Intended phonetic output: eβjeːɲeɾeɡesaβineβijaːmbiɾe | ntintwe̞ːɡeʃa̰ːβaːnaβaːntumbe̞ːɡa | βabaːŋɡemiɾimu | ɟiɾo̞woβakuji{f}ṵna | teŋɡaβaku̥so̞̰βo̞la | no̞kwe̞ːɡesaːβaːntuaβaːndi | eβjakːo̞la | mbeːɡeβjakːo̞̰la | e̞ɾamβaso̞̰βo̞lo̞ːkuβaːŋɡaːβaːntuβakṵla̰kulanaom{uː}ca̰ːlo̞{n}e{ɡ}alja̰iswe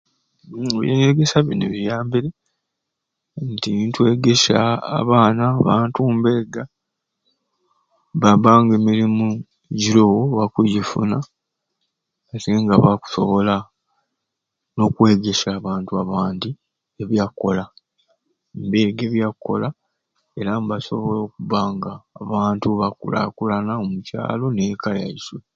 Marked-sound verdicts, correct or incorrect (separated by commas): correct, incorrect, correct, incorrect